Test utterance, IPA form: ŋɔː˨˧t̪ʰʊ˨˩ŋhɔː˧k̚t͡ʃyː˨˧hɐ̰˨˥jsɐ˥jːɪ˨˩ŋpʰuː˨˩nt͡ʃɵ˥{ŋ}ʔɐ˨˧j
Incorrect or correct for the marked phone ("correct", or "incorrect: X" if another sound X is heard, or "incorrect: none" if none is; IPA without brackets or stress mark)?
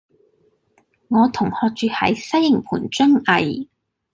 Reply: correct